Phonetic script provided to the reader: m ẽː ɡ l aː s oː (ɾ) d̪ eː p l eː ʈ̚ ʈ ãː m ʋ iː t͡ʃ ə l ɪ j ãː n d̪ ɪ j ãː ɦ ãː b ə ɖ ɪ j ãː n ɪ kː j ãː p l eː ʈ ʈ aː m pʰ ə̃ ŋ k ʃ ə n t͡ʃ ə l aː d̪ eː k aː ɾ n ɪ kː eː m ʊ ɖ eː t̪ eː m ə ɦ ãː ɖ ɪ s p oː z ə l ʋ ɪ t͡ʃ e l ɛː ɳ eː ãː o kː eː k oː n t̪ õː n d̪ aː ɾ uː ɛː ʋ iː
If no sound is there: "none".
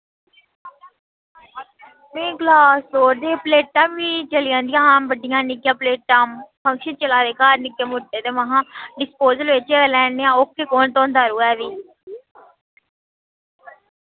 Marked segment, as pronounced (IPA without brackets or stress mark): ɾ